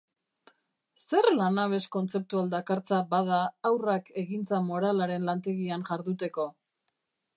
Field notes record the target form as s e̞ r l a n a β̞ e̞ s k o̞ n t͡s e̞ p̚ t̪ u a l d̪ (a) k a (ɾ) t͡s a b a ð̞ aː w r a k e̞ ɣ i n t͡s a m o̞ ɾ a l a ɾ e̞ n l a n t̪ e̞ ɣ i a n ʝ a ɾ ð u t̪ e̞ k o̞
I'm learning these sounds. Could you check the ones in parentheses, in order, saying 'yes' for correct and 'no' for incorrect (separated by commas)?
yes, yes